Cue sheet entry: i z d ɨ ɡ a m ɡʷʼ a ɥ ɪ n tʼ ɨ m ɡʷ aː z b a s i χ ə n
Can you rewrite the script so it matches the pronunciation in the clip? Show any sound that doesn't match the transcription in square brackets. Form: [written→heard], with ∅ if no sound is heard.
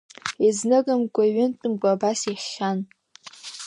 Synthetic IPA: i z [d→n] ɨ ɡ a m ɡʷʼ a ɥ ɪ n tʼ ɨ m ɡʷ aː [z→∅] b a s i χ [ə→a] n

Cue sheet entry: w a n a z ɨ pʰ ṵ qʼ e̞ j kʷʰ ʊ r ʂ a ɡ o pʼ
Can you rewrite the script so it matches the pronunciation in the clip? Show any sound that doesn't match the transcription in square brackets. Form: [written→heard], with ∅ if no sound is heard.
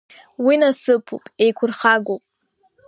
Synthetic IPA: w [a→i] n a [z→s] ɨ pʰ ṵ [qʼ→pʼ] e̞ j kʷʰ ʊ r [ʂ→χ] a ɡ o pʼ

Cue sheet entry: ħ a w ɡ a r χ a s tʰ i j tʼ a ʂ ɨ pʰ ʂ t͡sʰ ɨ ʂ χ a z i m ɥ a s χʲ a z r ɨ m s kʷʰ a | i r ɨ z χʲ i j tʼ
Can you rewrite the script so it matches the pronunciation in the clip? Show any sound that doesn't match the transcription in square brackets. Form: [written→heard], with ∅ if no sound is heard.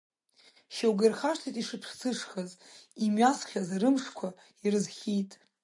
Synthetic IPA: [ħ→ʃ] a w ɡ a r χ a [s→ʂ] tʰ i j tʼ [a→i] ʂ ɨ pʰ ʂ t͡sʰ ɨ ʂ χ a z i m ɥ a s χʲ a z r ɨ m [s→ʂ] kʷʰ a | i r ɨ z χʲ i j tʼ

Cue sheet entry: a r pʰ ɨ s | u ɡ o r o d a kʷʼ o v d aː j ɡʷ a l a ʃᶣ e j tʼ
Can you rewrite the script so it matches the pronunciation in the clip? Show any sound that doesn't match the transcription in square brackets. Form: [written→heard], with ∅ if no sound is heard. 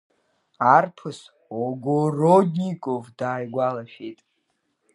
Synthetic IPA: a r pʰ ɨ s | [u→o] ɡ o r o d [a→i] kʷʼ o v d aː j ɡʷ a l a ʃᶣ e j tʼ

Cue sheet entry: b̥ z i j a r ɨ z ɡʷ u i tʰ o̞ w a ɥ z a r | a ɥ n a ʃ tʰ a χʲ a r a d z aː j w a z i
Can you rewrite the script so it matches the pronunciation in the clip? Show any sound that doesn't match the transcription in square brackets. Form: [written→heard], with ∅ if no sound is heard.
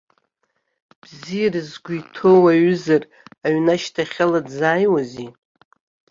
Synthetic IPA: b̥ z i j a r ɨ z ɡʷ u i tʰ o̞ w a ɥ z a r | a ɥ n a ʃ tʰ a χʲ a [r→l] a d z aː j w a z i

